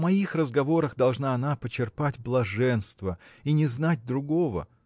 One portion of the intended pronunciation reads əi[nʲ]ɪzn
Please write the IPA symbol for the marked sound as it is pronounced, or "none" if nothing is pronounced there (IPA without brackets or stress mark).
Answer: nʲ